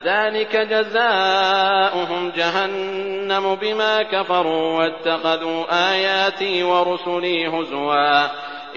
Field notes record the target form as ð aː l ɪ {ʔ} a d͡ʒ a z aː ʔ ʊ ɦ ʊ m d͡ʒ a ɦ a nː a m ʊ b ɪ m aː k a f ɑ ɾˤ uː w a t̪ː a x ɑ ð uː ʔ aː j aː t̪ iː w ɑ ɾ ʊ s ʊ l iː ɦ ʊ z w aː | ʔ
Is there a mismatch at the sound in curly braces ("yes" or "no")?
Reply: yes